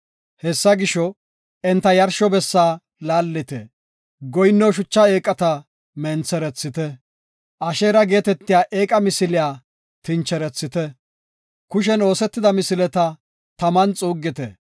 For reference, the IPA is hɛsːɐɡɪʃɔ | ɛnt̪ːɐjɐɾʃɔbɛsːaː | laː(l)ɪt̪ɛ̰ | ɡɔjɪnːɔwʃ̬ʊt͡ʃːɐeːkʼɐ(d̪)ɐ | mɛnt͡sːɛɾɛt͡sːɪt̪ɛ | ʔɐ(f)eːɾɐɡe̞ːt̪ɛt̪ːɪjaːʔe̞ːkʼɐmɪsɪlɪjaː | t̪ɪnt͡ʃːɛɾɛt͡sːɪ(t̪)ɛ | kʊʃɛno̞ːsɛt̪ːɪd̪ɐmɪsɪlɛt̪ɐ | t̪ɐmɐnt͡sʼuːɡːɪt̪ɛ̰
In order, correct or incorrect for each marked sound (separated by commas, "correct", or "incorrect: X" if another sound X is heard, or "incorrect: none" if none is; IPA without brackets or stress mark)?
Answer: incorrect: lː, incorrect: t̪, incorrect: ʃ, correct